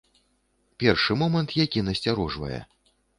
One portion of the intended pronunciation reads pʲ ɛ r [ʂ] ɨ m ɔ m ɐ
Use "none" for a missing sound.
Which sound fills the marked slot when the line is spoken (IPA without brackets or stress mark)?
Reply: ʂ